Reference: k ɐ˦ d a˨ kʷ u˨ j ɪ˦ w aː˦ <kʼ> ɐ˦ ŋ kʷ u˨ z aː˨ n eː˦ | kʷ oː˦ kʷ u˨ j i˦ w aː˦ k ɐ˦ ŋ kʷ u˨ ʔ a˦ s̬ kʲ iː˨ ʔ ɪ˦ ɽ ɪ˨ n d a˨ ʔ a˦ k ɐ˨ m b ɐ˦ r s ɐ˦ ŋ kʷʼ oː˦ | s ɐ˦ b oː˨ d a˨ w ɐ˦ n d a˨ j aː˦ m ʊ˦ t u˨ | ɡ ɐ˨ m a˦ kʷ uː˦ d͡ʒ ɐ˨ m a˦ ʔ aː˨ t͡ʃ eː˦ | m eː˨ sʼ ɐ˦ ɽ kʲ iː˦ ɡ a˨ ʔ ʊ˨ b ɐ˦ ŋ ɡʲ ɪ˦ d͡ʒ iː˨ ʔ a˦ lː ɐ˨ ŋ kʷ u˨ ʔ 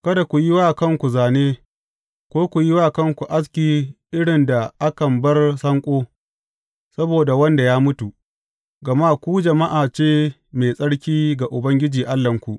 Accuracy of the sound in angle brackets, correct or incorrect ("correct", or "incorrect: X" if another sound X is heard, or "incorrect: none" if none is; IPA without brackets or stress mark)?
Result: incorrect: k